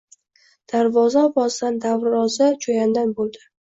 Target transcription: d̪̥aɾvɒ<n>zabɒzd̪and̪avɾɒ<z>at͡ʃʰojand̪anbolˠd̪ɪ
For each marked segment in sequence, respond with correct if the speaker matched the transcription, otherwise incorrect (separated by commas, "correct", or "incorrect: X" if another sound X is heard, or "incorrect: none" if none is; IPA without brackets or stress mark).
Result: incorrect: none, correct